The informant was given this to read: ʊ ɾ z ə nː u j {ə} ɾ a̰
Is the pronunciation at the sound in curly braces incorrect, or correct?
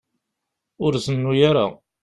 incorrect